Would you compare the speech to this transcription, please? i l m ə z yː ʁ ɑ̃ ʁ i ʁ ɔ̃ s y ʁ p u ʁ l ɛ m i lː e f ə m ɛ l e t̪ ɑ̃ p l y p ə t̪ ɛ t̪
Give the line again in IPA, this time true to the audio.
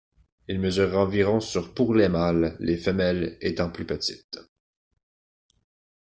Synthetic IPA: i l m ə z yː ʁ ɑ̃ v i ʁ ɔ̃ s y ʁ p u ʁ l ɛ m a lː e f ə m ɛ l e t̪ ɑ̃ p l y p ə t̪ i t̪